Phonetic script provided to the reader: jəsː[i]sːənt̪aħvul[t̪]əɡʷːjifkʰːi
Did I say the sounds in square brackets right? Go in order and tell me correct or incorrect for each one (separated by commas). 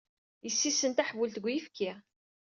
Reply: correct, correct